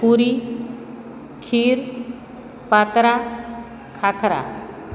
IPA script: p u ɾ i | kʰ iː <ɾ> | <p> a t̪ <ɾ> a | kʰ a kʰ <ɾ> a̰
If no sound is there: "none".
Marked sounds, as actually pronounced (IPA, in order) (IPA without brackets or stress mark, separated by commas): ɾ, p, ɾ, ɾ